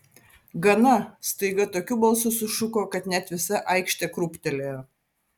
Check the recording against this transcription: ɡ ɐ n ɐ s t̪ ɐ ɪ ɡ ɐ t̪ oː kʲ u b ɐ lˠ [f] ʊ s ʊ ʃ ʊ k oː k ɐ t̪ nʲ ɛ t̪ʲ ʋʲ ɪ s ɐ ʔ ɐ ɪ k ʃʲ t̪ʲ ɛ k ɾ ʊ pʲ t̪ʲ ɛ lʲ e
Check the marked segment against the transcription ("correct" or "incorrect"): incorrect